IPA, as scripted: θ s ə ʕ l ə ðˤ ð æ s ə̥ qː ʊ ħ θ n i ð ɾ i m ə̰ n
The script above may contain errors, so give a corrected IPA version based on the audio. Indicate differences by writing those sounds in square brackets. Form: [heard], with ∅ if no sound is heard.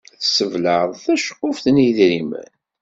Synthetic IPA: θ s ə [v] l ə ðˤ [θ] æ [ʃ] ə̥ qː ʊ [f] θ n i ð ɾ i m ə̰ n